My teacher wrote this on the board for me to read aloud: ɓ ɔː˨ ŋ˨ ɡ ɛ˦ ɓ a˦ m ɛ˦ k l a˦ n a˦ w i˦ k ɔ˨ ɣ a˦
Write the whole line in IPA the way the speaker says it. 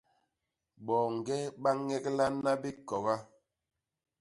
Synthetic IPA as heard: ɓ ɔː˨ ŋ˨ ɡ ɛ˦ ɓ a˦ ŋ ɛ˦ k l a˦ n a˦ b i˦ k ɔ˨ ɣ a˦